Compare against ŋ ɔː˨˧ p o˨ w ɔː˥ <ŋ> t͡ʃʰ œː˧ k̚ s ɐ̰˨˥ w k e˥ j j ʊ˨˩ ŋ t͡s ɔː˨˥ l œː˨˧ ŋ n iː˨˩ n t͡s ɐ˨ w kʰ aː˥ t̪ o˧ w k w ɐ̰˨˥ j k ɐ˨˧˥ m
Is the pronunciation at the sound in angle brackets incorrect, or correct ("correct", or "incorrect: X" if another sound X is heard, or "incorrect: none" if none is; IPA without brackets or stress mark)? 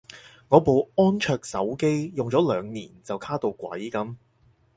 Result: incorrect: n